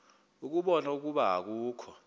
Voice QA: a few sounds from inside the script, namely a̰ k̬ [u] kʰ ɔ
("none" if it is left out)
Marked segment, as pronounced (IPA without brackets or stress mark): uː